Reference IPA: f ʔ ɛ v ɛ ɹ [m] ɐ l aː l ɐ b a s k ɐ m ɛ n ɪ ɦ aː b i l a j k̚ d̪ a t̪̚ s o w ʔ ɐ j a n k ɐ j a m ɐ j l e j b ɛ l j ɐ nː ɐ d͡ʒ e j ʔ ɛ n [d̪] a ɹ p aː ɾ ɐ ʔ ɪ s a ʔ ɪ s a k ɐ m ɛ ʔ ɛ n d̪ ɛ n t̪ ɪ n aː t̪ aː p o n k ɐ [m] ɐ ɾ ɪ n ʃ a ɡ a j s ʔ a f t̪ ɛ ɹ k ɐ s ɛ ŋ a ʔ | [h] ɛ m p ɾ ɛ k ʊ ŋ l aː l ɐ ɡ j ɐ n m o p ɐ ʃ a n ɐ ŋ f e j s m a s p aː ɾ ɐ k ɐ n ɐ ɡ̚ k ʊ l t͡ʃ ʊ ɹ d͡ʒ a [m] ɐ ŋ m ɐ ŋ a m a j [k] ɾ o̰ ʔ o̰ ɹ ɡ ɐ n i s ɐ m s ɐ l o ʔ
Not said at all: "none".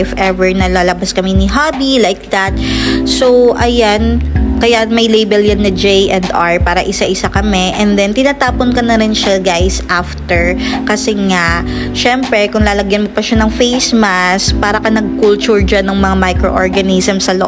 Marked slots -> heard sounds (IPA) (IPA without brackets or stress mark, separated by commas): n, d̪, n, ʃ, n, k